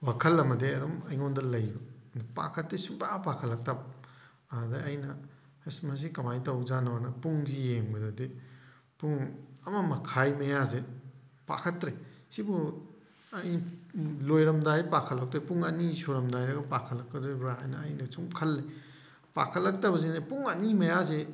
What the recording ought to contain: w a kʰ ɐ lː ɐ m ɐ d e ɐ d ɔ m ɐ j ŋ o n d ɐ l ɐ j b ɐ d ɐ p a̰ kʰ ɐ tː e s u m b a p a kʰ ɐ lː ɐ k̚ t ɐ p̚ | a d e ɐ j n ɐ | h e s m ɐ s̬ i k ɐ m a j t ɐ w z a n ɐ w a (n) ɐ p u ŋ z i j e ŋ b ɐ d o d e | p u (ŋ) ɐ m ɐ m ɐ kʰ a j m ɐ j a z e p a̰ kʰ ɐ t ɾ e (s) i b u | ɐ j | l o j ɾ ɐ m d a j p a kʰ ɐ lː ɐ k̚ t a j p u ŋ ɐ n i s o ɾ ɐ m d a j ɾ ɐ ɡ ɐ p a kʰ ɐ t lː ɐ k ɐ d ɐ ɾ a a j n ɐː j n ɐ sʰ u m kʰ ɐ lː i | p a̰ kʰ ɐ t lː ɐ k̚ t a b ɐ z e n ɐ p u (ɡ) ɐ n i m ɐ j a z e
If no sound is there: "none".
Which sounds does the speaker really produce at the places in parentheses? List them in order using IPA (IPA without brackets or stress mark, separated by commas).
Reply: n, ŋ, s, ŋ